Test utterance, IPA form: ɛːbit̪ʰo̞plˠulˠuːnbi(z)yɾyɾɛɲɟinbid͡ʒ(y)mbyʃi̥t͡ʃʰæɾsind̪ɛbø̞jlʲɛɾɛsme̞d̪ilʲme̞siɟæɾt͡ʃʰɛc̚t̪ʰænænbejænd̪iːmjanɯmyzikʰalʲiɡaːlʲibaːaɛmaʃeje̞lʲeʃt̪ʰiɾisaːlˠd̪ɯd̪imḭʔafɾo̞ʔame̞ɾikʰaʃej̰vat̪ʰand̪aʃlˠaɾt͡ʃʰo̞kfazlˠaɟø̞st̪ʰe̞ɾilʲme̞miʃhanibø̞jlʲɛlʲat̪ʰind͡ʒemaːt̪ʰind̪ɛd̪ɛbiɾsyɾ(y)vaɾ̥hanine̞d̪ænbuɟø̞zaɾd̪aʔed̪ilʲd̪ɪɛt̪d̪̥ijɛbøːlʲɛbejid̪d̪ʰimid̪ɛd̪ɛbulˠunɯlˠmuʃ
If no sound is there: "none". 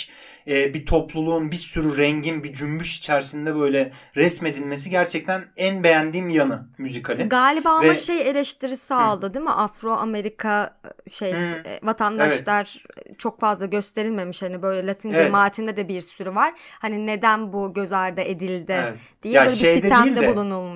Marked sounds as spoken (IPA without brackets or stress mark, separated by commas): s, y, y